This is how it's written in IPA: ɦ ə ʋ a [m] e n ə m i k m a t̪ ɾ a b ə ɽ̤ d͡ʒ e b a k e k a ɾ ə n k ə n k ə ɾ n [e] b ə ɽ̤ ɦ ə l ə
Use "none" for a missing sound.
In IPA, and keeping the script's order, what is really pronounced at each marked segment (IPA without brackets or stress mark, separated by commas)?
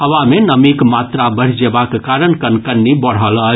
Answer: m, i